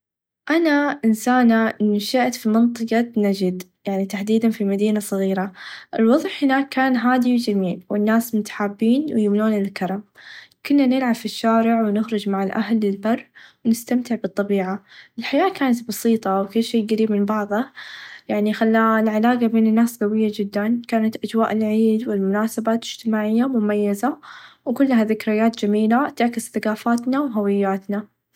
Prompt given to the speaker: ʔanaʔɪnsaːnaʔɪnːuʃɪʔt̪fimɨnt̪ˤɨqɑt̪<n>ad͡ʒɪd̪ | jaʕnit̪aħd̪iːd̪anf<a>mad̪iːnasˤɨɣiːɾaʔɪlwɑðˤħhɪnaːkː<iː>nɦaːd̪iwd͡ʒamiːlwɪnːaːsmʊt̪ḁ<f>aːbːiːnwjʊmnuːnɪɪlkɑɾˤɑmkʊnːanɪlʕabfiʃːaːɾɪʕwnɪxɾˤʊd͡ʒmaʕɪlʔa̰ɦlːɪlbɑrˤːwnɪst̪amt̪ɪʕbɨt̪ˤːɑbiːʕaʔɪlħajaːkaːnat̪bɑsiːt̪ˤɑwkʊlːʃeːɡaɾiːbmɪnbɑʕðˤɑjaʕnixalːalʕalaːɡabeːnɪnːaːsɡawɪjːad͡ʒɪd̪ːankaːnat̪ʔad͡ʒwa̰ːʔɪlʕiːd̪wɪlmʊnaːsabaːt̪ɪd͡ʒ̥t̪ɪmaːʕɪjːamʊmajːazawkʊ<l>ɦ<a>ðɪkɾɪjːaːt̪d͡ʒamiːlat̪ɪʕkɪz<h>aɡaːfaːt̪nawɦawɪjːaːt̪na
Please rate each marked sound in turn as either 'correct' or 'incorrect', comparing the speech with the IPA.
correct, incorrect: i, incorrect: aː, incorrect: ħ, incorrect: lː, correct, incorrect: θ

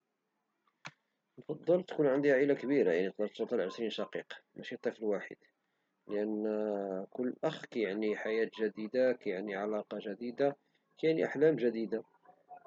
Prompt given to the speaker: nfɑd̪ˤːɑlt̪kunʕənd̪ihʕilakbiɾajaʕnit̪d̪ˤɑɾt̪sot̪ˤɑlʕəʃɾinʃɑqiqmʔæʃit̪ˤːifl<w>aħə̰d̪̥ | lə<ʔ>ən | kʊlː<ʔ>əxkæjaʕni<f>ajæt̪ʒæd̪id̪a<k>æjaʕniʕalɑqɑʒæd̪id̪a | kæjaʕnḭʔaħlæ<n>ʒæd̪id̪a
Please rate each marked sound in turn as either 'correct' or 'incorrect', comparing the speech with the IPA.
correct, correct, correct, incorrect: ħ, correct, incorrect: m

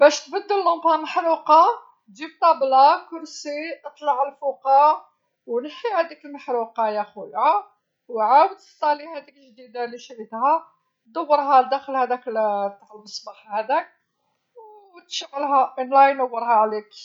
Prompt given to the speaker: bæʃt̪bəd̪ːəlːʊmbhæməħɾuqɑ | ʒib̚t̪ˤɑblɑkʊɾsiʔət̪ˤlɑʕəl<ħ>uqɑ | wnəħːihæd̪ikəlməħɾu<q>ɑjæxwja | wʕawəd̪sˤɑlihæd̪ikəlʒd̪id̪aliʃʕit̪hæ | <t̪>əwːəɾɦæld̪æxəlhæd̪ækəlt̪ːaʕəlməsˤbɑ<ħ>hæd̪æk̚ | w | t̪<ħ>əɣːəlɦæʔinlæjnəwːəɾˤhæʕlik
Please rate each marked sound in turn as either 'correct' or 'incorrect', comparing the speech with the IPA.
incorrect: f, correct, incorrect: d̪, correct, incorrect: ʃ

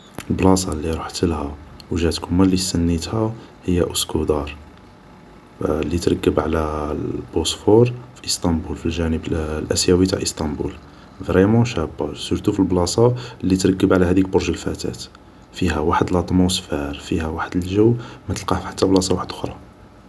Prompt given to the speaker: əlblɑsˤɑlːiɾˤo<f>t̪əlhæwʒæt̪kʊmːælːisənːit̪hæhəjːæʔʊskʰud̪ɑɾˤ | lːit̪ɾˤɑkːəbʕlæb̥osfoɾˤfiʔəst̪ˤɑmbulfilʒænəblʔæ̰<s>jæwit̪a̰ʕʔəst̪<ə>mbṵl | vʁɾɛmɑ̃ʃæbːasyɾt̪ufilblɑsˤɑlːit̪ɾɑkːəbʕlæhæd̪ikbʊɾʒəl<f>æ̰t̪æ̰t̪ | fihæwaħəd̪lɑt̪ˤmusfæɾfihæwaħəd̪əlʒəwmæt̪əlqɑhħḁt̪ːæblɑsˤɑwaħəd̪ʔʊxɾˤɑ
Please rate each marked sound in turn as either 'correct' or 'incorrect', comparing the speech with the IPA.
incorrect: ħ, correct, incorrect: ɑ, correct

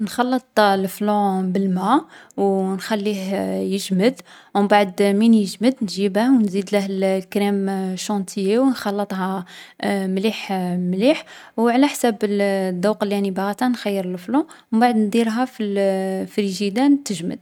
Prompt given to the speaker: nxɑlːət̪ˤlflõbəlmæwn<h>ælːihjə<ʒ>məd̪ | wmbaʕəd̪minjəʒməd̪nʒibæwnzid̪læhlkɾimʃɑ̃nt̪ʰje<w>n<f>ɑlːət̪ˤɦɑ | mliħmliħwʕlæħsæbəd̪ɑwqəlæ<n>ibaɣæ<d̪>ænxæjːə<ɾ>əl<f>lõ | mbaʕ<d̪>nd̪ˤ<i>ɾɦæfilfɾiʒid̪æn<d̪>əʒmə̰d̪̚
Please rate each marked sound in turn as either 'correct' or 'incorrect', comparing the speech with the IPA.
incorrect: x, correct, correct, incorrect: x, correct, incorrect: t̪, correct, correct, correct, correct, incorrect: t̪

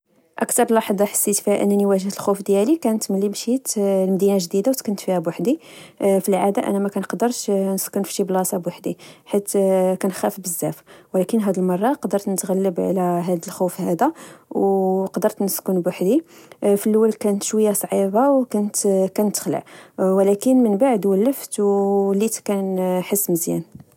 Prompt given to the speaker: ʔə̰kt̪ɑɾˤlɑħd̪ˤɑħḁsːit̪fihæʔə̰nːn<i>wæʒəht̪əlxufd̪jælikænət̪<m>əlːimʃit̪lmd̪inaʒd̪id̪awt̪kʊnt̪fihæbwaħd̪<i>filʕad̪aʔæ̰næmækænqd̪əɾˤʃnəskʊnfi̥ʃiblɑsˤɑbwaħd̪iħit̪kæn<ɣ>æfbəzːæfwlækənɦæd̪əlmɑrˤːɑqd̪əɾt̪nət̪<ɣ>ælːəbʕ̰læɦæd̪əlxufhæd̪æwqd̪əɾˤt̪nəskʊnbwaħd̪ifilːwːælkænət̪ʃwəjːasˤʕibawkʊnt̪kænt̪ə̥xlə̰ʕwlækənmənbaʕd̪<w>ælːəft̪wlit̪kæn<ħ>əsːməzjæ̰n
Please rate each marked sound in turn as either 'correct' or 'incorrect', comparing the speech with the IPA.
correct, correct, correct, incorrect: x, correct, correct, correct

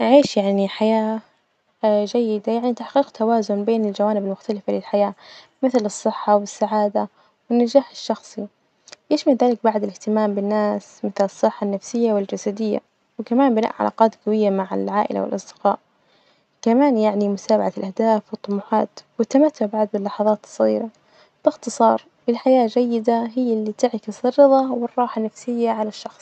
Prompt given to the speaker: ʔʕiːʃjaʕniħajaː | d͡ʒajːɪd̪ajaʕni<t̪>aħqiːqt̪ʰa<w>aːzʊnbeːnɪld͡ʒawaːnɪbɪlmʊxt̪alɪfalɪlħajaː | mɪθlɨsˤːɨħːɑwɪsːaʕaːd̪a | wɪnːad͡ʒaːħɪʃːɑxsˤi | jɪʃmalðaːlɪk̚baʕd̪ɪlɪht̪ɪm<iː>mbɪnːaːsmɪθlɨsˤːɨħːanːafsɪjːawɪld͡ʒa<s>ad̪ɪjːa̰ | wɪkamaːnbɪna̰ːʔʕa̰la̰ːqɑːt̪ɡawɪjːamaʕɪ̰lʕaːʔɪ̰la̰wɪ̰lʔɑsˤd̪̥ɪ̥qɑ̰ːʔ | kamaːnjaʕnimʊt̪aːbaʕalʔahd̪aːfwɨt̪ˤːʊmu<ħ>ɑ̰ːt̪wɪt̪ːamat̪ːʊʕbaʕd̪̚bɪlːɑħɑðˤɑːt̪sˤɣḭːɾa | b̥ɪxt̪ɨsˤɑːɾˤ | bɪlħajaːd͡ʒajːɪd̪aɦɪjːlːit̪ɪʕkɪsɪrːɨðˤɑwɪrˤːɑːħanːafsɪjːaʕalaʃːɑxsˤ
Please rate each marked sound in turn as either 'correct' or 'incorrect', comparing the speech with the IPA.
correct, correct, incorrect: aː, correct, correct

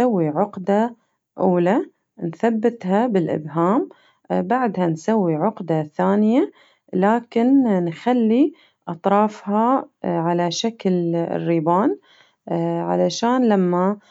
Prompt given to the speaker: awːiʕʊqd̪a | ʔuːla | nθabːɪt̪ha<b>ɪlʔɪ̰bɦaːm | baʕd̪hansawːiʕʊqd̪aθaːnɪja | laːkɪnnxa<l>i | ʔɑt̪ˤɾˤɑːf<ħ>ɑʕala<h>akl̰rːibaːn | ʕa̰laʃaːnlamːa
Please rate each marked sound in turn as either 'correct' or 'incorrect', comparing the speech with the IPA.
correct, incorrect: lː, incorrect: h, incorrect: ʃ

